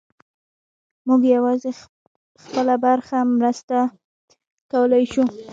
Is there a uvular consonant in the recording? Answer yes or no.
no